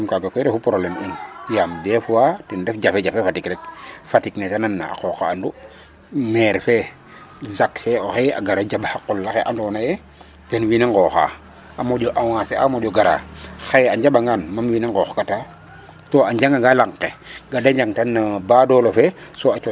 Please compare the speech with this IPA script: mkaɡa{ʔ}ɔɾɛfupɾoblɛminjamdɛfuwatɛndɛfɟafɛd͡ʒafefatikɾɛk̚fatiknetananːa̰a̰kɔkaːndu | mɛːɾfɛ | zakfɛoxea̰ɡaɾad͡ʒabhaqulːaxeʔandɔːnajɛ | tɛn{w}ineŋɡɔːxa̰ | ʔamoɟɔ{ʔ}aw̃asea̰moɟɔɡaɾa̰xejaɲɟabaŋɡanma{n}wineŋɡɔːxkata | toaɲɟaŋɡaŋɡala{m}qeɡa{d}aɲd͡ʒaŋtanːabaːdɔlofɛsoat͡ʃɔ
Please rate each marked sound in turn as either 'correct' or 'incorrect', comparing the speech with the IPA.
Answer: incorrect, correct, correct, incorrect, incorrect, correct

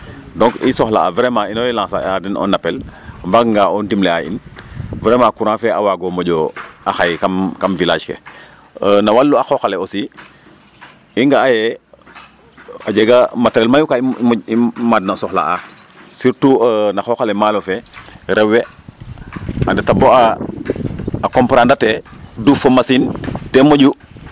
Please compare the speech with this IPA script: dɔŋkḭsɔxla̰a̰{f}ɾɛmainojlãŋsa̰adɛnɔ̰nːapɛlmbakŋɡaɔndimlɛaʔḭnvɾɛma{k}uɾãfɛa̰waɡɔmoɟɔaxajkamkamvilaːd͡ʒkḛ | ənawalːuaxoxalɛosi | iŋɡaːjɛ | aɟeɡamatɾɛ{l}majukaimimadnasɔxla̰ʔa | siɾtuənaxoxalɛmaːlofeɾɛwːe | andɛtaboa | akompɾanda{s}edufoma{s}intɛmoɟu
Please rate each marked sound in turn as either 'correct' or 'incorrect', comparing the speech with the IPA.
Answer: incorrect, correct, correct, incorrect, correct

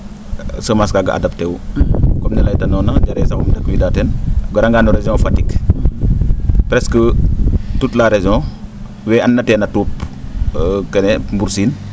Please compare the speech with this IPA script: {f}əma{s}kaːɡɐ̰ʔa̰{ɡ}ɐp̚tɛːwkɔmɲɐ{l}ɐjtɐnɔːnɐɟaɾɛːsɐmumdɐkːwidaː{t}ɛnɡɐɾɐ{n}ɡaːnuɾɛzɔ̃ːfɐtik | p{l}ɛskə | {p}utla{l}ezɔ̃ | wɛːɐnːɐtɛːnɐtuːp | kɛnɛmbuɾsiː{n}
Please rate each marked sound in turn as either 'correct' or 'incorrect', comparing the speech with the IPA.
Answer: incorrect, correct, incorrect, correct, correct, incorrect, incorrect, incorrect, incorrect, correct

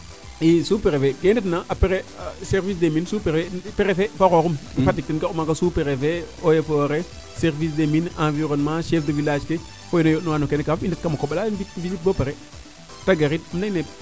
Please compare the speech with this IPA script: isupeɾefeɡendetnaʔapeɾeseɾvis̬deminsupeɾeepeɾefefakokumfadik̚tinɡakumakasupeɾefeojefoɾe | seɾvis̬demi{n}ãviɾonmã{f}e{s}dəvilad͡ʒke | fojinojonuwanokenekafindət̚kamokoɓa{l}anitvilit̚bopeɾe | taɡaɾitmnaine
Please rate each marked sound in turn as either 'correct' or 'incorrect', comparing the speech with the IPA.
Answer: correct, incorrect, incorrect, correct

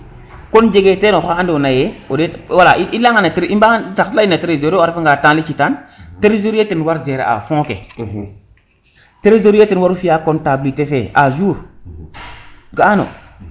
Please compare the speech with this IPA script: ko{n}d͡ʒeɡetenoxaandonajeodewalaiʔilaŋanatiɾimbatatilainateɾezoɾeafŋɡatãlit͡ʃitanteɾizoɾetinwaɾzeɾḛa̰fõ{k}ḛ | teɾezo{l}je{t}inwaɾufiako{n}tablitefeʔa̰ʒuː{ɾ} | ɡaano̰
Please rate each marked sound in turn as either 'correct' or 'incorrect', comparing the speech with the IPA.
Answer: correct, correct, incorrect, correct, correct, correct

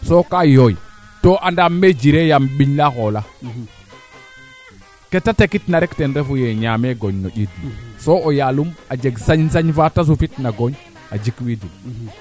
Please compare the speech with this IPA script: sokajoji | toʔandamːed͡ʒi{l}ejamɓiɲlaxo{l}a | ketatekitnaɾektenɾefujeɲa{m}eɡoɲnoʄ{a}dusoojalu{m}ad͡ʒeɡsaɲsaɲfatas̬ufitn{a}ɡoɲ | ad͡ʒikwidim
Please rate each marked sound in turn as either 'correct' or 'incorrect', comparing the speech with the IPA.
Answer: incorrect, correct, correct, incorrect, correct, correct

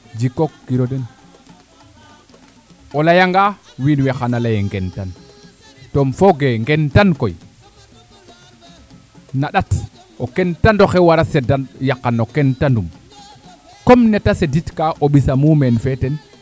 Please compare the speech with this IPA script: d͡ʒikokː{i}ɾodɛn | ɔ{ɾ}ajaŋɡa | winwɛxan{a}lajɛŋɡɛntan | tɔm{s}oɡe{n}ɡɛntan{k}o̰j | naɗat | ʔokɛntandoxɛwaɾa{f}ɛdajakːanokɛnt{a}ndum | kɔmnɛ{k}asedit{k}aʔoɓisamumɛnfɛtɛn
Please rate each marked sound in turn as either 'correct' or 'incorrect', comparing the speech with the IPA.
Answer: correct, incorrect, correct, incorrect, incorrect, correct, incorrect, correct, incorrect, correct

